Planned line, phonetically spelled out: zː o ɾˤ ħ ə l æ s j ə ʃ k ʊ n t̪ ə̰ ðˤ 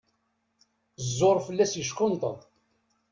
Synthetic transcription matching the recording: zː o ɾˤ f ə lː æ s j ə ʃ k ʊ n t̪ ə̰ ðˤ

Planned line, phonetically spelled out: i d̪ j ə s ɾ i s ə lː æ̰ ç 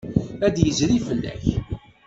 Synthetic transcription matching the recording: æ d̪ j ə z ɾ i f ə lː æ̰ ç

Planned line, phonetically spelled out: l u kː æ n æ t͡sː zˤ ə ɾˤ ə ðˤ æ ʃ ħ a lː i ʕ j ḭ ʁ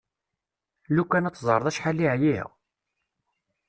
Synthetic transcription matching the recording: l u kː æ n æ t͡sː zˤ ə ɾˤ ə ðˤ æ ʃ ħ a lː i ʕ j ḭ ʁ

